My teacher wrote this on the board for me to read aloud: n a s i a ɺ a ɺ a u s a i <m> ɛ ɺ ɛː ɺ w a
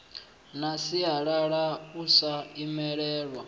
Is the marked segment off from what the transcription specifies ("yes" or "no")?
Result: no